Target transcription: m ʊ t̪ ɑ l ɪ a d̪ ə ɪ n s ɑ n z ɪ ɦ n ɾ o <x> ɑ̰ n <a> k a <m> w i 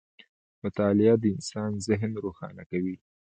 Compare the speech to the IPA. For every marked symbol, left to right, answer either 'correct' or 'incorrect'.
correct, correct, incorrect: none

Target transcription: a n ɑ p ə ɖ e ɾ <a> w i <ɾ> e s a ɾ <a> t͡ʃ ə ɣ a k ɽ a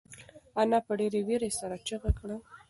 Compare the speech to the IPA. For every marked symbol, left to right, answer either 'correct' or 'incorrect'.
incorrect: e, correct, correct

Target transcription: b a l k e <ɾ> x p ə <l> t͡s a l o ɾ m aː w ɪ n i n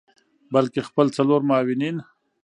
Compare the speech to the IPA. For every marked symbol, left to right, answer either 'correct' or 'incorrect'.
incorrect: none, correct

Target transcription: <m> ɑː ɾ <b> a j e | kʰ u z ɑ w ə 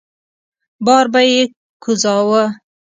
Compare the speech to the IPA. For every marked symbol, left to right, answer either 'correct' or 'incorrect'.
incorrect: b, correct

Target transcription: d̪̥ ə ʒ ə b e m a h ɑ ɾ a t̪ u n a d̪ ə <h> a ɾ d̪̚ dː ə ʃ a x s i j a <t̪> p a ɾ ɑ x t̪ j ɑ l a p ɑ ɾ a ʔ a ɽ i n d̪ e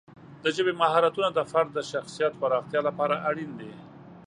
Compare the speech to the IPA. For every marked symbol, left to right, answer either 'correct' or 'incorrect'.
incorrect: f, correct

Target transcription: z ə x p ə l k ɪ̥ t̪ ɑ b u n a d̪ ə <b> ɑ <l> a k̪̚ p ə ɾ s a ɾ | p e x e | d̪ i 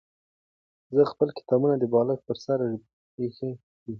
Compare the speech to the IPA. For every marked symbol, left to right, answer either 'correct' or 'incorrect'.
correct, correct

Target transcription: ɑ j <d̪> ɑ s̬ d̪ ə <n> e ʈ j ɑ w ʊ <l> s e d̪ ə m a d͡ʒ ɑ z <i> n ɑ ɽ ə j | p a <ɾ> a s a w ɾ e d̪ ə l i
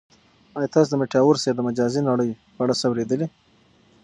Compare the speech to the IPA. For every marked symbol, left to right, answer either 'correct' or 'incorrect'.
incorrect: t̪, incorrect: m, incorrect: ɾ, correct, incorrect: ɽ

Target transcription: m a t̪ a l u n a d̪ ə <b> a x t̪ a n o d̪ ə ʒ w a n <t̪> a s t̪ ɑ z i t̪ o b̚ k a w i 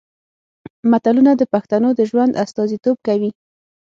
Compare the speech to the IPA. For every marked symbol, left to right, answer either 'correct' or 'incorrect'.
incorrect: p, incorrect: d̪

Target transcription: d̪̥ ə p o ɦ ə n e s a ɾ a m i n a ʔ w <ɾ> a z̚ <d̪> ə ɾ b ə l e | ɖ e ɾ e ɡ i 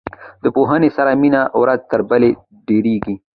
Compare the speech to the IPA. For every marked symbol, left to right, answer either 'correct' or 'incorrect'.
correct, incorrect: t̪

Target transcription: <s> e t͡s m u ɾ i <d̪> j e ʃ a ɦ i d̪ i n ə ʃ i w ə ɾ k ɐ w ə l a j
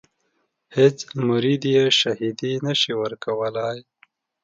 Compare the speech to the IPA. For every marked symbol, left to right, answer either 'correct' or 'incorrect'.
incorrect: h, correct

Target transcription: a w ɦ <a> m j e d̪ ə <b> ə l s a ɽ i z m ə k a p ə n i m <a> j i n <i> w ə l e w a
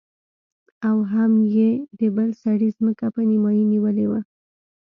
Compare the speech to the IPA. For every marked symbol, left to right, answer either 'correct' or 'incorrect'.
correct, correct, incorrect: ɑ, correct

